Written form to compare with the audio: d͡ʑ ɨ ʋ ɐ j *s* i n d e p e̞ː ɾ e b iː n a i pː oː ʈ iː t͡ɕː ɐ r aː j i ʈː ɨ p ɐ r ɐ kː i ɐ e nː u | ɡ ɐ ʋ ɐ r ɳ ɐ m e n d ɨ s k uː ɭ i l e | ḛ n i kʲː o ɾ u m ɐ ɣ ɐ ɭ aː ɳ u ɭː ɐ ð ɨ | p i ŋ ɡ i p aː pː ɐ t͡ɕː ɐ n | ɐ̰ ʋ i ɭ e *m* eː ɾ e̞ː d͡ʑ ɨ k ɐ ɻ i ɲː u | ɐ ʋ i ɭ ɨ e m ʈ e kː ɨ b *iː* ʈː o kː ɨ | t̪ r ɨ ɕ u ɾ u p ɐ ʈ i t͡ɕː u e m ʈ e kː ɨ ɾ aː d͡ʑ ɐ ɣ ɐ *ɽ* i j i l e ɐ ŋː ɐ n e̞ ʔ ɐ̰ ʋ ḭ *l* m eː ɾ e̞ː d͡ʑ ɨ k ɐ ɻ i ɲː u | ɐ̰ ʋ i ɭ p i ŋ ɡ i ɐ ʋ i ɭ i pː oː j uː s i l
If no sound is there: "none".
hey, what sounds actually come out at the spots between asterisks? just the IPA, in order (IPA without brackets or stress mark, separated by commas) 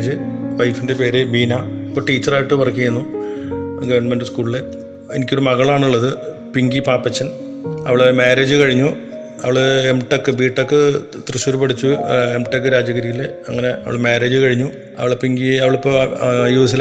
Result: f, m, iː, ɾ, ɭ